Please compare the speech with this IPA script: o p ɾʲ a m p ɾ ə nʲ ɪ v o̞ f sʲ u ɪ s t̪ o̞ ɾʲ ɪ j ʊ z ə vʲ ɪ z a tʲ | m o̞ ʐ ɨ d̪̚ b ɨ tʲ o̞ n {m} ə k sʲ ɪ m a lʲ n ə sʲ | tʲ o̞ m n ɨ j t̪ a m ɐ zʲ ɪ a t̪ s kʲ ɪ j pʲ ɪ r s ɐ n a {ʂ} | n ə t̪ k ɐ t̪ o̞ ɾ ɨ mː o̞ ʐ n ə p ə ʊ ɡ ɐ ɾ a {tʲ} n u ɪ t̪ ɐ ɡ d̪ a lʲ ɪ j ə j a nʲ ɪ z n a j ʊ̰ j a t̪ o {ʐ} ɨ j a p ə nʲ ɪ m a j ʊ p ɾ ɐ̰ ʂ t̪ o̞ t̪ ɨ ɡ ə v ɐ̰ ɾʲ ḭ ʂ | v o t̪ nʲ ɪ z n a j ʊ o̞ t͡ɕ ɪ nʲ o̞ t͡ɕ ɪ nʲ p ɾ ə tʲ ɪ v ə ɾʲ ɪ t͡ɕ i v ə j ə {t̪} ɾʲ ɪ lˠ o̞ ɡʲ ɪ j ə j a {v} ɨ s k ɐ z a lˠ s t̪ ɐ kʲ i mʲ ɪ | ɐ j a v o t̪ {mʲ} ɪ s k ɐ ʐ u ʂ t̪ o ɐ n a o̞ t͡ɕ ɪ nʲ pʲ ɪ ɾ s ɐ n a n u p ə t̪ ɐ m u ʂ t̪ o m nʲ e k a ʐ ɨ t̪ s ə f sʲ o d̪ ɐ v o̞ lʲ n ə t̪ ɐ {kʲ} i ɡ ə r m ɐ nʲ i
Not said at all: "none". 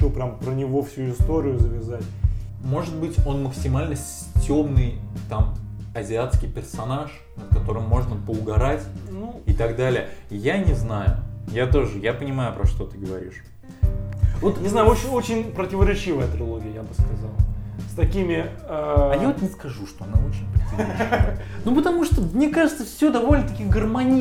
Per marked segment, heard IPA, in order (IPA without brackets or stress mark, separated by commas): m, ʂ, tʲ, ʐ, t̪, b, nʲ, kʲ